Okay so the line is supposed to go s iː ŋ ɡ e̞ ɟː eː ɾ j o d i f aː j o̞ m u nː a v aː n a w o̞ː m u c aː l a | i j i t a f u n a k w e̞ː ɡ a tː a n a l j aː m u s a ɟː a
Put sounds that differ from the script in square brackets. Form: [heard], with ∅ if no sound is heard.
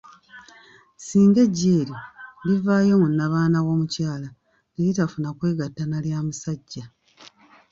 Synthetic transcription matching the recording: s iː ŋ ɡ e̞ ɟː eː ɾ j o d i [v] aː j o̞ m u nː a [β] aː n a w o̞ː m u c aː l a | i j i t a f u n a k w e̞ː ɡ a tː a n a l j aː m u s a ɟː a

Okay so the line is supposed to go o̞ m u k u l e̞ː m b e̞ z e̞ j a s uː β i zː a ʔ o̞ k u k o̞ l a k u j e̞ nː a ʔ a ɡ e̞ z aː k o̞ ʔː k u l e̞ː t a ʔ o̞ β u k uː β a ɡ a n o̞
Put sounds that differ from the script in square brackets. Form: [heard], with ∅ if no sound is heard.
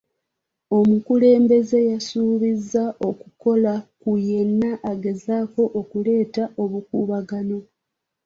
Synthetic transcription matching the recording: o̞ m u k u l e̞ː m b e̞ z e̞ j a s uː β i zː a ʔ o̞ k u k o̞ l a k u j e̞ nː a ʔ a ɡ e̞ z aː k o̞ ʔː k u l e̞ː t a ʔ o̞ β u k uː β a ɡ a n o̞

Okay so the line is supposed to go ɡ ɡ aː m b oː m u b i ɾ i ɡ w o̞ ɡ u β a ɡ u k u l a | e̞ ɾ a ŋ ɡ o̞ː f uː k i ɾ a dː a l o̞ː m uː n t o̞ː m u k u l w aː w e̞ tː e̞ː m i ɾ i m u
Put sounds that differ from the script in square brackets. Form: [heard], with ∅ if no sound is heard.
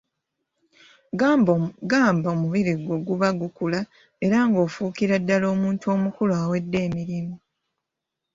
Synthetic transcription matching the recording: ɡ ɡ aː m b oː m u [β] i ɾ i ɡ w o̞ ɡ u β a ɡ u k u l a | e̞ ɾ a ŋ ɡ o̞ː f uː k i ɾ a dː a l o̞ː m uː n t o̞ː m u k u l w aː w e̞ [dː] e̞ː m i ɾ i m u

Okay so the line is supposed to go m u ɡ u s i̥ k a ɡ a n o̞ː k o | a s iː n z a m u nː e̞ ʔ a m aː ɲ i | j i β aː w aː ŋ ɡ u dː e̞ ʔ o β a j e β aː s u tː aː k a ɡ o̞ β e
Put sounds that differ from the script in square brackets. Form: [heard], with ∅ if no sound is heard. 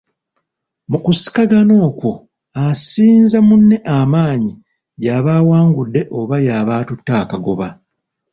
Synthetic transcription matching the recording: m u [k] u s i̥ k a ɡ a n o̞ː k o | a s iː n z a m u nː e̞ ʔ a m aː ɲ i | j [a] β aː w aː ŋ ɡ u dː e̞ ʔ o β a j [a] β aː [t] u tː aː k a ɡ o̞ β [a]

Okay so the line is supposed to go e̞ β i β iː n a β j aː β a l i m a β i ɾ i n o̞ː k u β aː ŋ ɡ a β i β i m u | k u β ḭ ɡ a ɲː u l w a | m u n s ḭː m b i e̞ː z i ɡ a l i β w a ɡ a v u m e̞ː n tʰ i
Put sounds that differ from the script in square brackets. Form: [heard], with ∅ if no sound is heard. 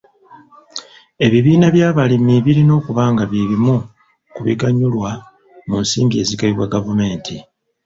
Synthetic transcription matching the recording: e̞ β i β iː n a β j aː β a l i m [i] β i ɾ i n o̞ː k u β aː ŋ ɡ a β i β i m u | k u β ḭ ɡ a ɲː u l w a | m u n s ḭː m b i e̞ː z i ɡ a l i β w a ɡ a v u m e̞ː n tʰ i

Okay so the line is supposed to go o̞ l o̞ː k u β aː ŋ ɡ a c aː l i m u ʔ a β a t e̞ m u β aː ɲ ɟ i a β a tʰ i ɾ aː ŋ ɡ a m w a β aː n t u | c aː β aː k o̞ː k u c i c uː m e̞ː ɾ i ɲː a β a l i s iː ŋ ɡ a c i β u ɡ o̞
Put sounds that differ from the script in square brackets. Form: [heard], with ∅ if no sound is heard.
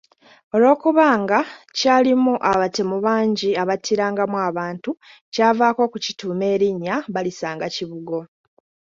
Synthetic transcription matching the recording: o̞ l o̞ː k u β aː ŋ ɡ a c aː l i m u ʔ a β a t e̞ m u β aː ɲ ɟ i a β a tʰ i ɾ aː ŋ ɡ a m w a β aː n t u | c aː [v] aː k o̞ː k u c i [t] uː m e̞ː ɾ i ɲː a β a l i s [aː] ŋ ɡ a c i β u ɡ o̞

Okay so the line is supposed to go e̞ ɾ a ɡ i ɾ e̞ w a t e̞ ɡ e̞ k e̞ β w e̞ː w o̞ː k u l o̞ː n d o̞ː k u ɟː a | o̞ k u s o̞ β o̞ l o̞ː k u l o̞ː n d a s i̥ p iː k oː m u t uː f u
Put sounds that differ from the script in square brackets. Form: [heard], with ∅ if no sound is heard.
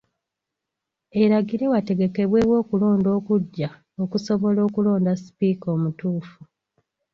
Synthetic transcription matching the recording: e̞ ɾ a ɡ i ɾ e̞ w a t e̞ ɡ e̞ k e̞ β w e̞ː w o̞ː k u l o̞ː n d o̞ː k u ɟː a | o̞ k u s o̞ β o̞ l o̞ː k u l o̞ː n d a s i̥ p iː k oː m u t uː f u

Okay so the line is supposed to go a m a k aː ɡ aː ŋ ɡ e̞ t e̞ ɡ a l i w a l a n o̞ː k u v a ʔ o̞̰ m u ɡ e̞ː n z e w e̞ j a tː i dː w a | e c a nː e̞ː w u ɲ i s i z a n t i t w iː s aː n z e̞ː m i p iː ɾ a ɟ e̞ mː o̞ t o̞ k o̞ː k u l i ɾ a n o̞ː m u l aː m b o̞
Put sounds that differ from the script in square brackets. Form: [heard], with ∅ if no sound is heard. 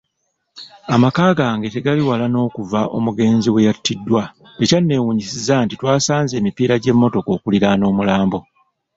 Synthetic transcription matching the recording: a m a k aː ɡ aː ŋ ɡ e̞ t e̞ ɡ a l i w a l a n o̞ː k u v a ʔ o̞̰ m u ɡ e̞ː n z [i] w e̞ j a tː i dː w a | e c a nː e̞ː w u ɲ i s i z a n t i t w [aː] s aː n z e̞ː m i p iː ɾ a ɟ e̞ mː o̞ t o̞ k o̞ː k u l i ɾ a n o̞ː m u l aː m b o̞

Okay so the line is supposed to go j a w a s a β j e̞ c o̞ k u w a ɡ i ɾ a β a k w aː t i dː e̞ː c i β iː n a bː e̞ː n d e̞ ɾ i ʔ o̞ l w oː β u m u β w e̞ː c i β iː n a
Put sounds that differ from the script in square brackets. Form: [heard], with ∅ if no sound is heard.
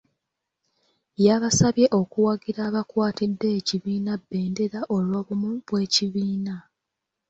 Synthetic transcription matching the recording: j a [β] a s a β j e̞ [ʔ] o̞ k u w a ɡ i ɾ a β a k w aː t i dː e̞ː c i β iː n a bː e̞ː n d e̞ ɾ [a] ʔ o̞ l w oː β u m u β w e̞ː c i β iː n a

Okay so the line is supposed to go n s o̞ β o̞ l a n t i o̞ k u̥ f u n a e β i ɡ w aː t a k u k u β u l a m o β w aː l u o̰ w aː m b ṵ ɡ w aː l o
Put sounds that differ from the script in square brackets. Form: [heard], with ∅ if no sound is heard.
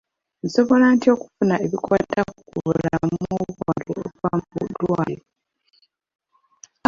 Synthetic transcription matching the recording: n s o̞ β o̞ l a n t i o̞ k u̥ f u n a e β i [k] w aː t a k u k u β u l a m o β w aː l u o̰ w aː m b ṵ [d] w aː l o

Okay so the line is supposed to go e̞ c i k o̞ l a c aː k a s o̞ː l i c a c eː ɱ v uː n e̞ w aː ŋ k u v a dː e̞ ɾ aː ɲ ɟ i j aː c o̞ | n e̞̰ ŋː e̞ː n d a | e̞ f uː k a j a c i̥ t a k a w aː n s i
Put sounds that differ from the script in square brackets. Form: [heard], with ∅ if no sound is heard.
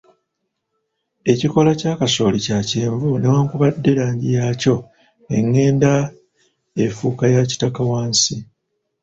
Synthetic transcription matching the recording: e̞ c i k o̞ l a c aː k a s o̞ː l i c a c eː ɱ v [u] n e̞ w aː ŋ k u [β] a dː e̞ ɾ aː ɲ ɟ i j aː c o̞ | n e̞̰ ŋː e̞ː n d a | e̞ f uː k a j a c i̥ t a k a w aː n s i

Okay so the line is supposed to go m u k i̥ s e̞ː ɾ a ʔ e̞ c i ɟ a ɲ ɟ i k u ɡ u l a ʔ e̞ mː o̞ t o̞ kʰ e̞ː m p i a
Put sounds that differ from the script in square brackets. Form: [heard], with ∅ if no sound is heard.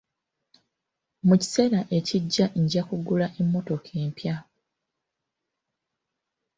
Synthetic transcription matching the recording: m u [c] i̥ s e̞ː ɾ a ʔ e̞ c i [ɟː] a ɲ ɟ [a] k u ɡ u l a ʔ e̞ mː o̞ t o̞ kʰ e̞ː m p [j] a

